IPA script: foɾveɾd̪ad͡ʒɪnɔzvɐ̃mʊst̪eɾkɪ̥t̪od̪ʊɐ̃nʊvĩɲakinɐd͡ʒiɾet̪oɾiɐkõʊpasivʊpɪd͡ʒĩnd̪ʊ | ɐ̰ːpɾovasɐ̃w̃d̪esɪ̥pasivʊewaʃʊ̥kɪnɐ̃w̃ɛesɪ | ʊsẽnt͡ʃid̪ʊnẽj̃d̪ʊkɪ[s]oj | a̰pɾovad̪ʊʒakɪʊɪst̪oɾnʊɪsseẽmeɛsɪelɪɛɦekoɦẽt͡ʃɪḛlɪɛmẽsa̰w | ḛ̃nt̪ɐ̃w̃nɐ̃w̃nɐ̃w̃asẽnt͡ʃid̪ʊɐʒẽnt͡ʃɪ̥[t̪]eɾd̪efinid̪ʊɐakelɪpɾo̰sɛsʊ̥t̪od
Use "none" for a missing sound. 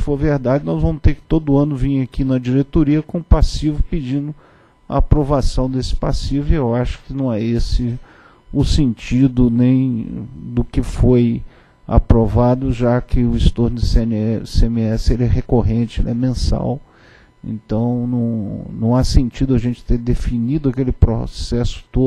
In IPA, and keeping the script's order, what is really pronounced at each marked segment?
f, t̪

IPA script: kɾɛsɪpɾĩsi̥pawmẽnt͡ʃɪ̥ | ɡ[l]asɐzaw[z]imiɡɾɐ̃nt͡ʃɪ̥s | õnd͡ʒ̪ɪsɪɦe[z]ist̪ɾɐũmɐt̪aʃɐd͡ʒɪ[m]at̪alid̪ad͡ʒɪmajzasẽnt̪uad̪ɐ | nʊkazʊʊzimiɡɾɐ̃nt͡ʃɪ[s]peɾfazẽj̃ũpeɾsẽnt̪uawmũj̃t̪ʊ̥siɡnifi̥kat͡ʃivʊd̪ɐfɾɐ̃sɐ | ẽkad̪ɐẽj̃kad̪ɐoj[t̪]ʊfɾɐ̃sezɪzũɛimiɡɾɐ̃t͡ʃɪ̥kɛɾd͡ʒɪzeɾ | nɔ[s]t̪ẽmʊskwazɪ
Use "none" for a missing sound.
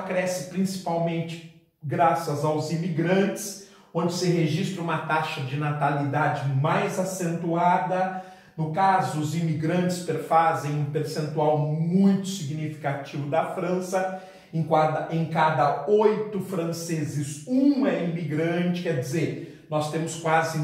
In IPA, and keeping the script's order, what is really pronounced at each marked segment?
ɾ, z, ʒ, n, s, t̪, s

